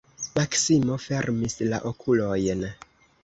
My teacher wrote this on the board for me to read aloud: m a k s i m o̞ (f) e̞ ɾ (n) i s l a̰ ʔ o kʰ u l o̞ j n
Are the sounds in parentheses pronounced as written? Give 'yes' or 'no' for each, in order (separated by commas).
yes, no